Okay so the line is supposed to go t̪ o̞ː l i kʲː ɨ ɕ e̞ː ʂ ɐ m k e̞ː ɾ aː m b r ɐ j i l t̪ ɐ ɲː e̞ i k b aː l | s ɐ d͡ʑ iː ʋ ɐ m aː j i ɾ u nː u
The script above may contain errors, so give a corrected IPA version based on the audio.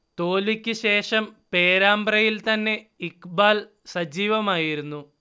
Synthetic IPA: t̪ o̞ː l i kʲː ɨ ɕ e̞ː ʂ ɐ m p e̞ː ɾ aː m b r ɐ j i l t̪ ɐ nː e̞ i k b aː l | s ɐ d͡ʑ iː ʋ ɐ m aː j i ɾ u nː u